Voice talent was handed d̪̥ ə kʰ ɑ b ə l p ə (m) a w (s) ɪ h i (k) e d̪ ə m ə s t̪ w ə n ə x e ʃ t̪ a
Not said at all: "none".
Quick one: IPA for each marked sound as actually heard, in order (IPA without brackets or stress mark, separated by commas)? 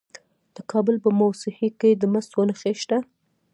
m, s, k